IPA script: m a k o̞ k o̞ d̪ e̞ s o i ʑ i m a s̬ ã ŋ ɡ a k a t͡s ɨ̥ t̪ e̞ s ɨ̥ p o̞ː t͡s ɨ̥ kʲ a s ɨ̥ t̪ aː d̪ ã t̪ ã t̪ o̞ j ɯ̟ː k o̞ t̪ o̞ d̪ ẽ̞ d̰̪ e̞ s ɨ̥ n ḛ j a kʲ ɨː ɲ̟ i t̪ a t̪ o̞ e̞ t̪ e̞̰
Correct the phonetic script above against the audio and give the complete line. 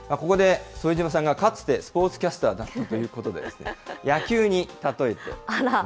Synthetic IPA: m a k o̞ k o̞ d̪ e̞ s o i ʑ i m a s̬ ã ŋ ɡ a k a t͡s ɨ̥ t̪ e̞ s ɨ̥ p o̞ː t͡s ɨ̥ kʲ a s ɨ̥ t̪ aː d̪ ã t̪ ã t̪ o̞ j ɯ̟ː k o̞ t̪ o̞ d̪ e̞ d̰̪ e̞ s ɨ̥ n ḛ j a kʲ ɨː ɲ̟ i t̪ a t̪ o̞ e̞ t̪ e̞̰

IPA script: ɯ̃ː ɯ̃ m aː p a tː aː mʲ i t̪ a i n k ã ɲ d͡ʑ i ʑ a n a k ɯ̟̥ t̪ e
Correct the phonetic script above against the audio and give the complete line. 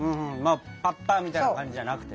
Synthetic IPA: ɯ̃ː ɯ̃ m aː p a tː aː mʲ i t̪ a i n k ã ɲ d͡ʑ i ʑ a n a k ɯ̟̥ t̪ e

